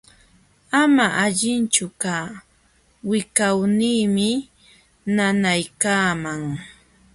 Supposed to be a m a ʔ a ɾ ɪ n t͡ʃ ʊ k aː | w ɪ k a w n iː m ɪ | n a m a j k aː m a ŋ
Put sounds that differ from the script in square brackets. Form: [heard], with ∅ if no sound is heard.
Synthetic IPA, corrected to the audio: a m a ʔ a [ʎ] ɪ n t͡ʃ ʊ k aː | w ɪ k a w n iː m ɪ | n a [n] a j k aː m a ŋ